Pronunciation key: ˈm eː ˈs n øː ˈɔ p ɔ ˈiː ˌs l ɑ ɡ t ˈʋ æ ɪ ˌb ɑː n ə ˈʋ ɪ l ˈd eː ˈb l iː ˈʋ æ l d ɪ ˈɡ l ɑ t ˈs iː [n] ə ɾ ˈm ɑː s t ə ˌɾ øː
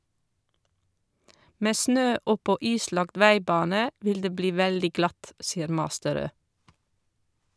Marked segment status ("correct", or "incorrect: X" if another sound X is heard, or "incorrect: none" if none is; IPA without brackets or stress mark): incorrect: none